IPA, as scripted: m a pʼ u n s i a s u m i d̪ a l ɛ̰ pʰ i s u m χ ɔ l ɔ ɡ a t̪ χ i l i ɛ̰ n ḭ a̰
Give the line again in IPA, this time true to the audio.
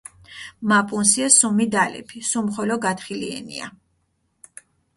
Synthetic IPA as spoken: m a pʼ u n s i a s u m i d̪ a l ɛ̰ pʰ i s u m χ ɔ l ɔ ɡ a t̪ χ i l i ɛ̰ n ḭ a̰